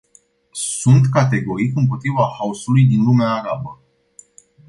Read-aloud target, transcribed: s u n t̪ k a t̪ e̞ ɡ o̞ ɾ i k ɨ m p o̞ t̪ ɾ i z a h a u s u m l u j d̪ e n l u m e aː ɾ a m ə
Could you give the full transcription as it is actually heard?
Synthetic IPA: s u n t̪ k a t̪ e̞ ɡ o̞ ɾ i k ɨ m p o̞ t̪ ɾ i v a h a u s u l u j d̪ i n l u m e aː ɾ a b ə